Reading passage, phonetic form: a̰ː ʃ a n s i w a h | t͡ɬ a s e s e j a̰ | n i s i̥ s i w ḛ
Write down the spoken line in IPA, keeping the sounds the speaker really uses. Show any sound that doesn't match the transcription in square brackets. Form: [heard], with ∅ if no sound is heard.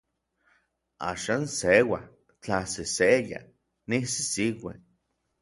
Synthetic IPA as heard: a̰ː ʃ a n s [e] w a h | t͡ɬ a s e s e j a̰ | n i s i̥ s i w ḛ